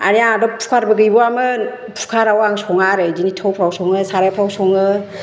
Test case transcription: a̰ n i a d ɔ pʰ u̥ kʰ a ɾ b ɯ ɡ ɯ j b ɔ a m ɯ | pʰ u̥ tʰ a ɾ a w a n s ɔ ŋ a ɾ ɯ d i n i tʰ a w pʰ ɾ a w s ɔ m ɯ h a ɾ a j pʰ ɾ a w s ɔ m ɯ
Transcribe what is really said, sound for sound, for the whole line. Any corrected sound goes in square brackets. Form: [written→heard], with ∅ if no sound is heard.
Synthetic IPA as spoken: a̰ n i a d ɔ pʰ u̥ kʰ a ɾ b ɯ ɡ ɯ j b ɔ a m ɯ | pʰ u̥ [tʰ→kʰ] a ɾ a w a [n→ŋ] s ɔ ŋ a ɾ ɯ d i n i tʰ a w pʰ ɾ a w s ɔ [m→ŋ] ɯ [h→s] a ɾ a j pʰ ɾ a w s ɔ [m→ŋ] ɯ